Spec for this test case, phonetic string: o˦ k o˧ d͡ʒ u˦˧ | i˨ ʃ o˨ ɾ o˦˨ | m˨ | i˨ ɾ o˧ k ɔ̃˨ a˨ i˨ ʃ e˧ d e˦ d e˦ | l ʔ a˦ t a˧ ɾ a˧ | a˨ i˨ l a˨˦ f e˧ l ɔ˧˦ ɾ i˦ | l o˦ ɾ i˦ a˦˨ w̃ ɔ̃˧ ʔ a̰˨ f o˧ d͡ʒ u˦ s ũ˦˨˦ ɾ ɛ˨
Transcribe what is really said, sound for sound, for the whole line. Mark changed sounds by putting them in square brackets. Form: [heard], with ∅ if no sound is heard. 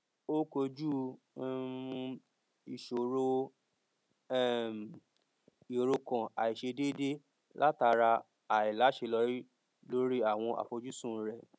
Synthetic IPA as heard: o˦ k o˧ d͡ʒ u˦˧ | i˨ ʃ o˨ ɾ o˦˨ | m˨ | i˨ ɾ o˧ k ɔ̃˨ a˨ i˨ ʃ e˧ d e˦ d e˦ | l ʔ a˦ t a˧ ɾ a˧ | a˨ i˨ l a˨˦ [ʃ] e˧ l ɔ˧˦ ɾ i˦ | l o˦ ɾ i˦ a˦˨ w̃ ɔ̃˧ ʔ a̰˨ f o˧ d͡ʒ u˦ s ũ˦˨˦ ɾ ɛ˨